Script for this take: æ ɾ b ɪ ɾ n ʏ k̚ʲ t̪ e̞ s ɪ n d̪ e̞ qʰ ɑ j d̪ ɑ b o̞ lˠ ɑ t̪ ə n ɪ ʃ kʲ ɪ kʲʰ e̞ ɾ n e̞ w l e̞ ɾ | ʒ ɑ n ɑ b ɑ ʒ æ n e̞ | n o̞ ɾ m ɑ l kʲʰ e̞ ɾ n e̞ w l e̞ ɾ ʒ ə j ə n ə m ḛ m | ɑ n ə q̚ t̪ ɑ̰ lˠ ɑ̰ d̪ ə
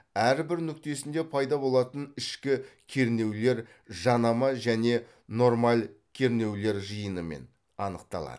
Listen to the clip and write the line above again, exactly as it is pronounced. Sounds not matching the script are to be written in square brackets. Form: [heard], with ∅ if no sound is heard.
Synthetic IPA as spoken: æ ɾ b ɪ ɾ n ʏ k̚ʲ t̪ e̞ s ɪ n d̪ e̞ [pʰ] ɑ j d̪ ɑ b o̞ lˠ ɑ t̪ ə n ɪ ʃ kʲ ɪ kʲʰ e̞ ɾ n e̞ w l e̞ ɾ | ʒ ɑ n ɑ [m] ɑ ʒ æ n e̞ | n o̞ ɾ m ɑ l kʲʰ e̞ ɾ n e̞ w l e̞ ɾ ʒ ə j ə n ə m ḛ [n] | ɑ n ə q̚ t̪ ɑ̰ lˠ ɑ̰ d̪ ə